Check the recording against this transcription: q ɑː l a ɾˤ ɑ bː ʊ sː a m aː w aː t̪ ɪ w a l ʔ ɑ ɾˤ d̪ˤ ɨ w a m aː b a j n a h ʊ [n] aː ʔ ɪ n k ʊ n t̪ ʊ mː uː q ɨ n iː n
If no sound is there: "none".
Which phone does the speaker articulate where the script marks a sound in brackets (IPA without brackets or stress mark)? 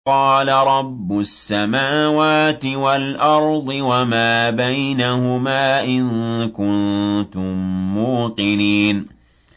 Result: m